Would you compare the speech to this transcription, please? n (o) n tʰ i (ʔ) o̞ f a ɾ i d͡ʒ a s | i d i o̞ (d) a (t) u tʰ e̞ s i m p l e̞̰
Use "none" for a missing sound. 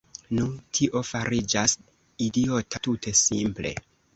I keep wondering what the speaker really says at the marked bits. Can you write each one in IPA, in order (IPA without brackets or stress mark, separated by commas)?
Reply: u, ʔ, t, t